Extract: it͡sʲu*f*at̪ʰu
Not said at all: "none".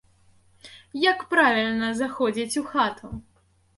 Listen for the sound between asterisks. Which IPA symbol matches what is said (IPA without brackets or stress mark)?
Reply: x